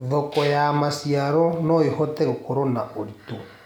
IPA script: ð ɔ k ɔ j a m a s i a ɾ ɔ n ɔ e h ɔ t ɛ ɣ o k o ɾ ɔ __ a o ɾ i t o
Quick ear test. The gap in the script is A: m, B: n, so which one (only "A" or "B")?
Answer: B